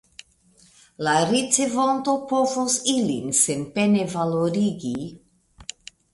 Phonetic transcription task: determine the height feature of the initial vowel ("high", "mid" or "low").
low